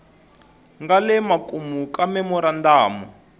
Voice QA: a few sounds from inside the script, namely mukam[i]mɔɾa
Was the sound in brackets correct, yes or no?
no